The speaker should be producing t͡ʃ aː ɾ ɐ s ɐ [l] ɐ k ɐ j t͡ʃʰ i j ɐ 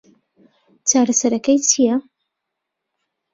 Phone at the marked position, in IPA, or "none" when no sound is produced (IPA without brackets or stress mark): ɾ